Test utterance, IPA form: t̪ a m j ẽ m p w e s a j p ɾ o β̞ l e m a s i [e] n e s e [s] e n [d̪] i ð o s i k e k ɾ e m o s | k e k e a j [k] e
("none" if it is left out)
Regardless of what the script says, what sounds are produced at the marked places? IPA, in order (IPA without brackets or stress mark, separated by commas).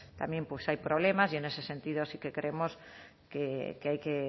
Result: e, s, t̪, k